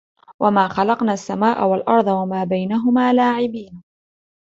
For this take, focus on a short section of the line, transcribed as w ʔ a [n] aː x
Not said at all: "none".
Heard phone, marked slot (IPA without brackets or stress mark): m